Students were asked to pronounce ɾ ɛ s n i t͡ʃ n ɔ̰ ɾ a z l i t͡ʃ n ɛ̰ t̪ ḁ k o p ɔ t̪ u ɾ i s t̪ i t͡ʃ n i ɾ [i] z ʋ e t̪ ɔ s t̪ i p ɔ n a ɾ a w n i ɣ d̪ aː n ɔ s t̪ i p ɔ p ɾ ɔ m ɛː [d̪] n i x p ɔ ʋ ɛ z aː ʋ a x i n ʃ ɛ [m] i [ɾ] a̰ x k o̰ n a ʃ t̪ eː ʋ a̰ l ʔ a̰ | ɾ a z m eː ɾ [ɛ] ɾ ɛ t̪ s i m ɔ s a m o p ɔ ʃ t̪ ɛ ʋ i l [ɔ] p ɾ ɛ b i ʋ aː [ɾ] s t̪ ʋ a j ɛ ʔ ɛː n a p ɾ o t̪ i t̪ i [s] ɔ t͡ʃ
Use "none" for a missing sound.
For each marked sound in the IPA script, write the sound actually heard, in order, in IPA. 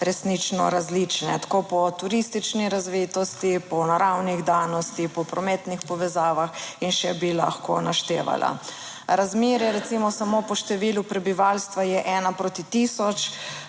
a, t̪, b, l, ɛ, u, l, s

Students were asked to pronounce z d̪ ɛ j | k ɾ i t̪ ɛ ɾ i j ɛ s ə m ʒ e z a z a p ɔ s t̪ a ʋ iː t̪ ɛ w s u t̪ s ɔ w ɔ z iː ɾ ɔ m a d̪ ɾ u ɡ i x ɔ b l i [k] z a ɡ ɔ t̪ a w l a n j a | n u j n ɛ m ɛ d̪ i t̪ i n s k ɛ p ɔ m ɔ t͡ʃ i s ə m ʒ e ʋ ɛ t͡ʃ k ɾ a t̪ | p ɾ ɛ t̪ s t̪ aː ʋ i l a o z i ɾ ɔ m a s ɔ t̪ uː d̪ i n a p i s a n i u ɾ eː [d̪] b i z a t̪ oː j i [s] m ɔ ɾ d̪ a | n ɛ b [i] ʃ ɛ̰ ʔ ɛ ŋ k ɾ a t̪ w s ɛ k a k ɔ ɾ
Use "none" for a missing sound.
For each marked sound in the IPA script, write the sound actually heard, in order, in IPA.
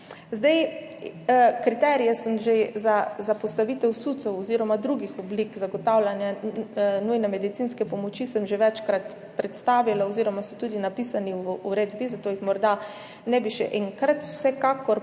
k, d̪, x, i

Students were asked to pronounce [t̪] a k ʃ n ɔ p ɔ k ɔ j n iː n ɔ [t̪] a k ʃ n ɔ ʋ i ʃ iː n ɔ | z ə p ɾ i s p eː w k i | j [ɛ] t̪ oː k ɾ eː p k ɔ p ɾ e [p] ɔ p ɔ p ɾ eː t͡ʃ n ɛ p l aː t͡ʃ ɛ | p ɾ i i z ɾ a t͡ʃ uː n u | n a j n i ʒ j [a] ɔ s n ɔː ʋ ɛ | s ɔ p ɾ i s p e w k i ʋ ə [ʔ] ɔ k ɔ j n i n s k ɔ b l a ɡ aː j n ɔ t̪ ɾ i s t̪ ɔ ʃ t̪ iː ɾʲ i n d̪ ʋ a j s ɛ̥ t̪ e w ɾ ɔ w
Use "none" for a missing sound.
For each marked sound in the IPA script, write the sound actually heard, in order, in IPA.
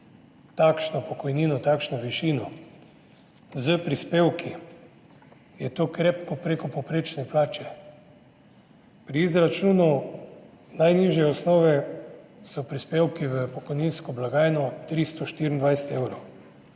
t̪, t̪, ɛ, k, ɛ, p

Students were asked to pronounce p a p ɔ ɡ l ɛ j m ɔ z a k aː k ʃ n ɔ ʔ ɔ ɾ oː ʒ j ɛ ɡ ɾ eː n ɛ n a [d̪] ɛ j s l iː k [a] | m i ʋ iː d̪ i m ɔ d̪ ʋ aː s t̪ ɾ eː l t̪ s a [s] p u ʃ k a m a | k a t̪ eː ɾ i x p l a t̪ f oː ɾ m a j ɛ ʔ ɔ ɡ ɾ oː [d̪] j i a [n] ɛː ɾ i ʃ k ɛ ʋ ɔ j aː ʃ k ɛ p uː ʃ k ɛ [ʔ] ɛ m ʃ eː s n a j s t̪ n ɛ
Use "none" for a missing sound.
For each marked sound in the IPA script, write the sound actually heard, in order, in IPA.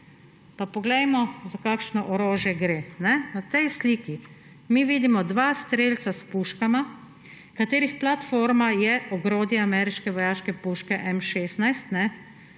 t̪, i, s, d̪, m, ʔ

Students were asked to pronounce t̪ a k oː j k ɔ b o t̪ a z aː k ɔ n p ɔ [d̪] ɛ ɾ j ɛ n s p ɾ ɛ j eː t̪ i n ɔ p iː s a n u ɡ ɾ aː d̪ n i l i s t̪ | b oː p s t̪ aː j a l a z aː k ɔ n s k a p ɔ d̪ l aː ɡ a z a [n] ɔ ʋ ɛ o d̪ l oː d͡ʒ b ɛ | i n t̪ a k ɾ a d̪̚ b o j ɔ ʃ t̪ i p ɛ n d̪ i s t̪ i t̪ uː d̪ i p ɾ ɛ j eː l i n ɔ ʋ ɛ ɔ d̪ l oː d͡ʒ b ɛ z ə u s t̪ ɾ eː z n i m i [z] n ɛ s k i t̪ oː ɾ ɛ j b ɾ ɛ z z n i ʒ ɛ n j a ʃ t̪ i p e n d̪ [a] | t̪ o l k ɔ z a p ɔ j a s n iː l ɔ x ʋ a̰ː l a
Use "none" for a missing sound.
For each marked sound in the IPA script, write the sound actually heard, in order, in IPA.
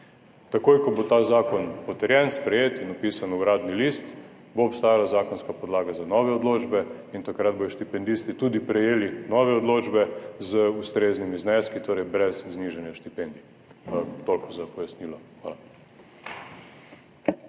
t̪, n, z, i

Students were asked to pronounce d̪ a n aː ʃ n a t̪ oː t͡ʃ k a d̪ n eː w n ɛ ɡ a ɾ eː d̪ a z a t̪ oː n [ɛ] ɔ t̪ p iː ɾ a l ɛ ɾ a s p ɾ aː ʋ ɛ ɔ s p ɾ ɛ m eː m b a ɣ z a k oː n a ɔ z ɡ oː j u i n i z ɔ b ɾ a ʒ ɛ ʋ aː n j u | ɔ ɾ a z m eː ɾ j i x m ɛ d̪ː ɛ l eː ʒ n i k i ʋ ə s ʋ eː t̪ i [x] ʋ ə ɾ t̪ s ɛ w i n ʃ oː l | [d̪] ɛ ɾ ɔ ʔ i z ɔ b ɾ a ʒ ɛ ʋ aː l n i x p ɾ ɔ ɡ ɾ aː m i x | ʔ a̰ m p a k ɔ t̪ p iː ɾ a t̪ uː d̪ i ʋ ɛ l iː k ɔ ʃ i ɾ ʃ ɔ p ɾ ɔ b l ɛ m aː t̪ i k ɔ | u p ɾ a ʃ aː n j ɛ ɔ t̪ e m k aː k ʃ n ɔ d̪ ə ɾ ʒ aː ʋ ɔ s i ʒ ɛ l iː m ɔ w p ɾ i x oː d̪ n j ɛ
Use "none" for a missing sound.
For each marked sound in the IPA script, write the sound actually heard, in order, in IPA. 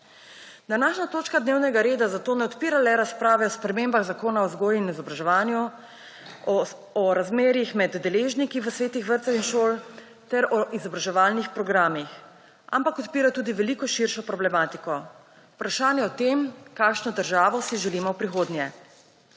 ɛ, x, t̪

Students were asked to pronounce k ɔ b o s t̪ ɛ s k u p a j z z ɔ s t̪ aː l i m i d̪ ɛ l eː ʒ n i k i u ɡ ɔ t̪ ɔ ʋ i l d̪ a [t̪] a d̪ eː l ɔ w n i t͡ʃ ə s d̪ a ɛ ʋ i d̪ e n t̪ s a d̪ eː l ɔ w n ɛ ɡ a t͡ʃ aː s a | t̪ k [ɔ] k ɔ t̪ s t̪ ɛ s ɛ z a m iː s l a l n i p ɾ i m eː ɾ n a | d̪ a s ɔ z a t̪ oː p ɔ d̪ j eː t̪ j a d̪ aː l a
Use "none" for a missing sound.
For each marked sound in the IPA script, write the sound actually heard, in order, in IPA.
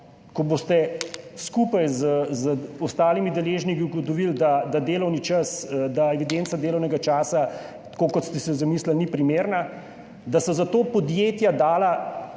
d̪, o

